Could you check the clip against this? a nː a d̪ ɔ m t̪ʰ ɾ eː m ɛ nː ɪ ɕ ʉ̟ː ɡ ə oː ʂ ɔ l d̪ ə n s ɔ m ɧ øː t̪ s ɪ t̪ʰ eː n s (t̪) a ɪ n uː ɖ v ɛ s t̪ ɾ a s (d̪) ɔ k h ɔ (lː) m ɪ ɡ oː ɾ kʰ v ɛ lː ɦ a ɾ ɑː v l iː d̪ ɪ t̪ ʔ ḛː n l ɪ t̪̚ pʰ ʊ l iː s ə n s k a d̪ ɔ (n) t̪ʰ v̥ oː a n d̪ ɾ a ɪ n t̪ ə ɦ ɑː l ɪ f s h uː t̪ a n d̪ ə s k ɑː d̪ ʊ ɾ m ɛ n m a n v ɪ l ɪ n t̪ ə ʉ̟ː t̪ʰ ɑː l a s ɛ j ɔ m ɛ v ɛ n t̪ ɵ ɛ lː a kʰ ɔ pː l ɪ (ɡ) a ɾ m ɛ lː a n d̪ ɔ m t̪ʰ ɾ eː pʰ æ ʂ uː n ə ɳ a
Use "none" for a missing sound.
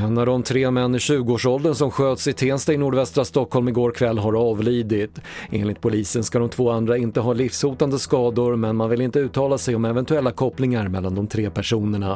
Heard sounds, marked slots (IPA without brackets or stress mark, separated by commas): t̪, t̪, l, m, ŋ